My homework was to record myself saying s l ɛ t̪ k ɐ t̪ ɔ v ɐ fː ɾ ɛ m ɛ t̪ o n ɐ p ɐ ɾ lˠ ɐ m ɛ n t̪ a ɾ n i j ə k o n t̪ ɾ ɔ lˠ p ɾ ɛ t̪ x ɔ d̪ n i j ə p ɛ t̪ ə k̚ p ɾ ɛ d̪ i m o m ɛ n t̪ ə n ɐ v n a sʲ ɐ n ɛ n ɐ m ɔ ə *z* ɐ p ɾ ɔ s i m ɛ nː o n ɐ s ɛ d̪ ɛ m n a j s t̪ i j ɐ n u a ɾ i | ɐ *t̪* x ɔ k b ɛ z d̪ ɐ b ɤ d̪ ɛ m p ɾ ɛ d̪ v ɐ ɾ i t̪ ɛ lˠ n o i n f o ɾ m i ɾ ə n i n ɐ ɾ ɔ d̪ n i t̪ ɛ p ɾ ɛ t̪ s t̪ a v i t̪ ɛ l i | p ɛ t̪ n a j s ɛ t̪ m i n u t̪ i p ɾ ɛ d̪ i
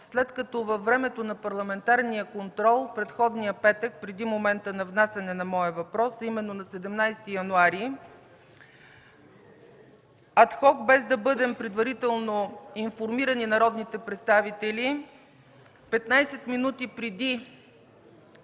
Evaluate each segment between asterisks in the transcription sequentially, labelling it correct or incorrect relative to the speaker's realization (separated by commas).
incorrect, correct